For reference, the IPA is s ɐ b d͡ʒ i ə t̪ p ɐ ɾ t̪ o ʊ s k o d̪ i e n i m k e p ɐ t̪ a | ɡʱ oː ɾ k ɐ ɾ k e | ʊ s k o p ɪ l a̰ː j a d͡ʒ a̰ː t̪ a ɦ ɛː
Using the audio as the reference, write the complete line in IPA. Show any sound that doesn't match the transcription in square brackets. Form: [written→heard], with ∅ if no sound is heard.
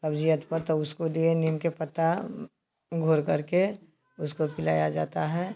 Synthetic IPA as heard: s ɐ b d͡ʒ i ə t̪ p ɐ ɾ t̪ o ʊ s k o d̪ i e n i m k e p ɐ t̪ a | ɡʱ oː ɾ k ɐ ɾ k e | ʊ s k o p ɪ l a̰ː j a d͡ʒ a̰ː t̪ a ɦ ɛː